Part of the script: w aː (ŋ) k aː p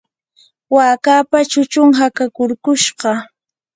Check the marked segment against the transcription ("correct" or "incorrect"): incorrect